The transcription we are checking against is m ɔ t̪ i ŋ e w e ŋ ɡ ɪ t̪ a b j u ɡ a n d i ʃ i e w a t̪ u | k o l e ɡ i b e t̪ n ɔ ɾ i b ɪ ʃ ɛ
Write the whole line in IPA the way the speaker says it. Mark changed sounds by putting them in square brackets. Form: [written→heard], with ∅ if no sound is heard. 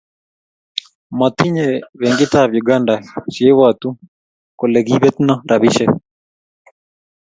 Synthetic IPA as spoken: m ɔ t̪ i [ŋ→ɲ] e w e ŋ ɡ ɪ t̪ a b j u ɡ a n d [i→a] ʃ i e w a t̪ u | k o l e ɡ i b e t̪ n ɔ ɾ [i→a] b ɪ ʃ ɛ